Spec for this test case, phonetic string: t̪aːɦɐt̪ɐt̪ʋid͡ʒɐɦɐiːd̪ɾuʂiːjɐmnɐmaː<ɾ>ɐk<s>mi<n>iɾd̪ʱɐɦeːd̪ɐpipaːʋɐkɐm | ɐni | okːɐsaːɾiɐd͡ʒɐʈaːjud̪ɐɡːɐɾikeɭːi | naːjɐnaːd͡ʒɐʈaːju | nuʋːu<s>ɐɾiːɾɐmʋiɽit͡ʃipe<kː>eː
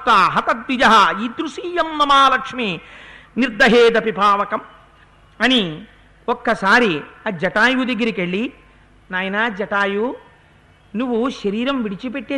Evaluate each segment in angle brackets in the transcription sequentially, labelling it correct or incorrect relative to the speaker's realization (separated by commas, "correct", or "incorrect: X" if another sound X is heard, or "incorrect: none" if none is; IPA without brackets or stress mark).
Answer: incorrect: l, incorrect: ʂ, correct, incorrect: ʃ, incorrect: ʈː